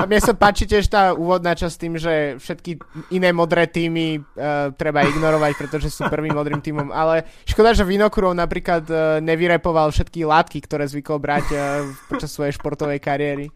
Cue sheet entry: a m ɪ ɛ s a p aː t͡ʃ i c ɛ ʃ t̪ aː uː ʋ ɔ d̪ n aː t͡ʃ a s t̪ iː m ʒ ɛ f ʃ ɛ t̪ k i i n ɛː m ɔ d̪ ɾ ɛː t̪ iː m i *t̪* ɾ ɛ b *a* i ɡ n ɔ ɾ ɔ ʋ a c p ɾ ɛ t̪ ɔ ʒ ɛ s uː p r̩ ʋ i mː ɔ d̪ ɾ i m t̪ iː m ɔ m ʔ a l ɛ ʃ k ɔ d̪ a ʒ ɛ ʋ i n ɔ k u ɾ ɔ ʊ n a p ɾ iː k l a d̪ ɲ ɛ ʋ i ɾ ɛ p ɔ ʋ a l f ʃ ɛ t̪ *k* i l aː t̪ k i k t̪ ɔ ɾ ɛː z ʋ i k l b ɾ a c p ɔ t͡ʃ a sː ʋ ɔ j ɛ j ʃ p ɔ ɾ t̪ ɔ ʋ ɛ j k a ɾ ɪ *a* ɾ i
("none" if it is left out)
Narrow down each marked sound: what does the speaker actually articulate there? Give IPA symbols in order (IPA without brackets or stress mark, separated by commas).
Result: t̪, a, k, ɛ